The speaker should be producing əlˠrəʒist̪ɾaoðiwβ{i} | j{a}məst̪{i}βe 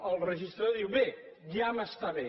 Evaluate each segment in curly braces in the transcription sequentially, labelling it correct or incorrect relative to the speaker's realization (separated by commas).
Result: incorrect, correct, incorrect